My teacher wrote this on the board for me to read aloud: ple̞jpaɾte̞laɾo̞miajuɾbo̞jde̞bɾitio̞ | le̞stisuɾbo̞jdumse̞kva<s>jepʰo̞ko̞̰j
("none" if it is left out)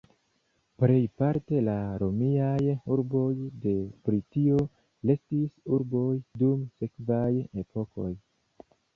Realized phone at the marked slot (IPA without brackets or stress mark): none